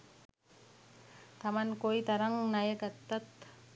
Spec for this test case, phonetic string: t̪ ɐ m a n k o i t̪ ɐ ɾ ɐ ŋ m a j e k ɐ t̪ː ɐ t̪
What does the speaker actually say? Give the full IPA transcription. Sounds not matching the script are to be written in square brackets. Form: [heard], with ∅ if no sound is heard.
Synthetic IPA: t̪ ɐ m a n k o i t̪ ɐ ɾ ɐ ŋ [n] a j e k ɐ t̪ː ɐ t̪